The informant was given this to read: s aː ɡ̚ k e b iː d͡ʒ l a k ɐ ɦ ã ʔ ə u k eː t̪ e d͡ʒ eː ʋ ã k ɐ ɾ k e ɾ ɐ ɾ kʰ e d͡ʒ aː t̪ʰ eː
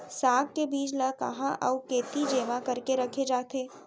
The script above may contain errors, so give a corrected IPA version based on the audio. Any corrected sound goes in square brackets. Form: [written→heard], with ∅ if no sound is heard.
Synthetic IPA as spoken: s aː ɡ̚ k e b iː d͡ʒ l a k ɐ ɦ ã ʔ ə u k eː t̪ [e→i] d͡ʒ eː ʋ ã k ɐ ɾ k e ɾ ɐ [ɾ→∅] kʰ e d͡ʒ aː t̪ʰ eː